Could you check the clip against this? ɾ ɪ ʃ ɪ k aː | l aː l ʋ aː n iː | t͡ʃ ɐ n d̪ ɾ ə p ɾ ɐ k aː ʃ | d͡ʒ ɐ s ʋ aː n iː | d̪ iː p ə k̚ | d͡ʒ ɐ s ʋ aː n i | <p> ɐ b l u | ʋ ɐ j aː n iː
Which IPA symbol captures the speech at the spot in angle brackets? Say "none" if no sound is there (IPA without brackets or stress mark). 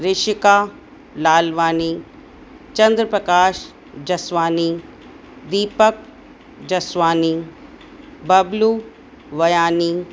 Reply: b